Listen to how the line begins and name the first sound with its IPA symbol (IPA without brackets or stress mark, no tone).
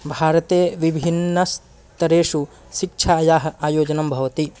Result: bʱ